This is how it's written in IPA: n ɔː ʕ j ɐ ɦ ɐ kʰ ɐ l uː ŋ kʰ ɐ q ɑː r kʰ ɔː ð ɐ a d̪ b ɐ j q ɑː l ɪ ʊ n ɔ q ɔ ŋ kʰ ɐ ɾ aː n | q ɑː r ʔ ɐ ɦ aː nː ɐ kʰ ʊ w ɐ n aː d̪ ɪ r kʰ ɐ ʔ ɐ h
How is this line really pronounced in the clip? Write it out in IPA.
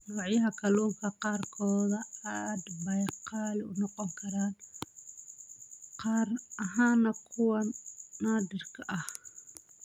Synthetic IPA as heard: n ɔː ʕ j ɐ ɦ ɐ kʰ ɐ l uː ŋ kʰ ɐ q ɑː r kʰ ɔː ð ɐ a d̪ b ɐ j q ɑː l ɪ ʊ n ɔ q ɔ ŋ kʰ ɐ ɾ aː n | q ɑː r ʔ ɐ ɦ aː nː ɐ kʰ ʊ w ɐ n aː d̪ ɪ r kʰ ɐ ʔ ɐ h